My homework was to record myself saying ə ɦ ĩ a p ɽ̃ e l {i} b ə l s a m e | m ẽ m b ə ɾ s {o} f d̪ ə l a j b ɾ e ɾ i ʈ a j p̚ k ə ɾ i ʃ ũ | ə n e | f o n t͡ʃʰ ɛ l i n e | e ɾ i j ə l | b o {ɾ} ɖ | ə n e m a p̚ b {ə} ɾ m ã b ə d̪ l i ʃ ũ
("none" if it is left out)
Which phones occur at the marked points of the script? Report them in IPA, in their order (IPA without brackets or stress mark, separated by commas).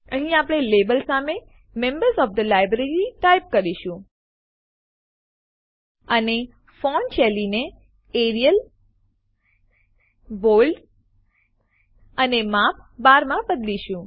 e, ɔ, l, a